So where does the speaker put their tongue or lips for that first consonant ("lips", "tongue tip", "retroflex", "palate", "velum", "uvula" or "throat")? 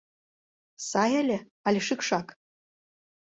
tongue tip